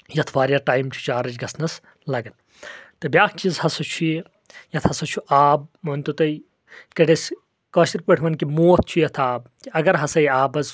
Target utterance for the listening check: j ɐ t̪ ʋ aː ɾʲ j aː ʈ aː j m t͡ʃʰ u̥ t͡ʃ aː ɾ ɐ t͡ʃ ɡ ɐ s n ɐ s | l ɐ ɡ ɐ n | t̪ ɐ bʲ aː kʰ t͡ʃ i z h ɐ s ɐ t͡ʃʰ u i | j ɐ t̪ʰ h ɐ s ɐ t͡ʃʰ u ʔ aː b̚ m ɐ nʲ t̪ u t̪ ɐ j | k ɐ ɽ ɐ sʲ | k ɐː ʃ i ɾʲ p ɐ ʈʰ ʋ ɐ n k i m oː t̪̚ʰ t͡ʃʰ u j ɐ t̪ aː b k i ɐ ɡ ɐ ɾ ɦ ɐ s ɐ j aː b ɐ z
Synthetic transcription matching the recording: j ɐ t̪ʰ ʋ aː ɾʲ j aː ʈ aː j m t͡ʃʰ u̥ t͡ʃ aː ɾ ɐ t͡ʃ ɡ ɐ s n ɐ s | l ɐ ɡ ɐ n | t̪ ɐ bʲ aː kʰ t͡ʃ i z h ɐ s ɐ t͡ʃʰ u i | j ɐ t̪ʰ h ɐ s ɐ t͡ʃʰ u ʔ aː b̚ m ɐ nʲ t̪ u t̪ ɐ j | k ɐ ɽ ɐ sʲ | k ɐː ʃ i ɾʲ p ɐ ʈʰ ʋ ɐ n k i m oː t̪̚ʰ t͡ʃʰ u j ɐ t̪ʰ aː b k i ɐ ɡ ɐ ɾ ɦ ɐ s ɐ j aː b ɐ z